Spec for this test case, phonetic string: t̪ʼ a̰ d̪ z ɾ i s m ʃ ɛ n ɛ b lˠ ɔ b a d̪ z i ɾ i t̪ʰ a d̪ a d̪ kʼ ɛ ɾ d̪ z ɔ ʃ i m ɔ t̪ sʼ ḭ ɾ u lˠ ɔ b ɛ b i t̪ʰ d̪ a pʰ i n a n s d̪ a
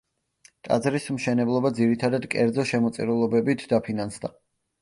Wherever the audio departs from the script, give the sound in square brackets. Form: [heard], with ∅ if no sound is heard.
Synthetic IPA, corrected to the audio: t̪ʼ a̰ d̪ z ɾ i s m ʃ ɛ n ɛ b lˠ ɔ b a d̪ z i ɾ i t̪ʰ a d̪ a d̪ kʼ ɛ ɾ d̪ z ɔ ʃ [ɛ] m ɔ t̪ sʼ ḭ ɾ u lˠ ɔ b ɛ b i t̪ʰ d̪ a pʰ i n a n s d̪ a